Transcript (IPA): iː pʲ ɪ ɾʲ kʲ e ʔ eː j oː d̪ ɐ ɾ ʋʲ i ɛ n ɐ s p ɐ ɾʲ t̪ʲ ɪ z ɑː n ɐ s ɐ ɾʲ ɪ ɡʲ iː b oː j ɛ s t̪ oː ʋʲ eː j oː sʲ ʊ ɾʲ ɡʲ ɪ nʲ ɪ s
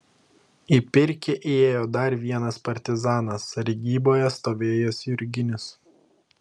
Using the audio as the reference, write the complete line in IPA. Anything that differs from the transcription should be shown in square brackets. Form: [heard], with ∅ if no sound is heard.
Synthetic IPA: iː pʲ ɪ ɾʲ kʲ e ʔ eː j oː d̪ ɐ ɾ ʋʲ i ɛ n ɐ s p ɐ ɾʲ t̪ʲ ɪ z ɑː n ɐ s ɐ ɾʲ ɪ ɡʲ iː b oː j ɛ s t̪ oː ʋʲ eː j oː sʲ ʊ ɾʲ ɡʲ ɪ nʲ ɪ s